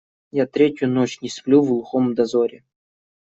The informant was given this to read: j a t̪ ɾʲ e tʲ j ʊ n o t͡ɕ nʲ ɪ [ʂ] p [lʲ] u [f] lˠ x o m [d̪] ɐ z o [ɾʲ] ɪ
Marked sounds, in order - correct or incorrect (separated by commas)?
incorrect, correct, incorrect, correct, correct